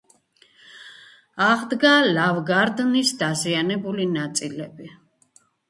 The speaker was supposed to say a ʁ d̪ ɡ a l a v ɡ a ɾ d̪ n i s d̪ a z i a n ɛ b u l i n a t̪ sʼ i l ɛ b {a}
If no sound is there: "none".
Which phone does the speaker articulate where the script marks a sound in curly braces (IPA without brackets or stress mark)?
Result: i